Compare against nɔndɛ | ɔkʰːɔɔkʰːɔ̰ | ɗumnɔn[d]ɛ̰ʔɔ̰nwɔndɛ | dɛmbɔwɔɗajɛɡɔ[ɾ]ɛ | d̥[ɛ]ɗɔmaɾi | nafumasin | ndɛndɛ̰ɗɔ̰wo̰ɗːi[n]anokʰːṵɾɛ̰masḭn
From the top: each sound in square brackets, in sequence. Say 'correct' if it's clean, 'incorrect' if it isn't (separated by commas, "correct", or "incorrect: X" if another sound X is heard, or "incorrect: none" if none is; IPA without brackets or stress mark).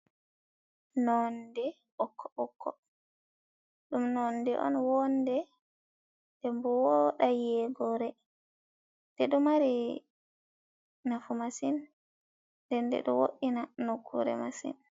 correct, correct, correct, correct